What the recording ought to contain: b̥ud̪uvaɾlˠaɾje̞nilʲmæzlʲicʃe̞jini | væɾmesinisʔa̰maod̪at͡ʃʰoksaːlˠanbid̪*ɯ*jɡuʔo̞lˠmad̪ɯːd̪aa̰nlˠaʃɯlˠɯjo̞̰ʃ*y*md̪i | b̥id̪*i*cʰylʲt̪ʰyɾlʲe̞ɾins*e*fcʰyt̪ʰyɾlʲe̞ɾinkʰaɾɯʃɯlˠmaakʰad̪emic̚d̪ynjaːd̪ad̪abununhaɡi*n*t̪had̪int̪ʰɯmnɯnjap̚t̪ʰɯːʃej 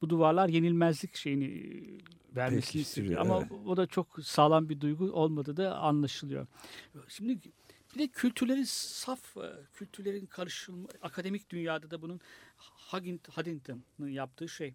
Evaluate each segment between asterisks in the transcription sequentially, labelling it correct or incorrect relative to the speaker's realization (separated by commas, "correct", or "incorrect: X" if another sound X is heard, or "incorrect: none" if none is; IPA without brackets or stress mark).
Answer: incorrect: u, incorrect: i, incorrect: ɛ, incorrect: a, correct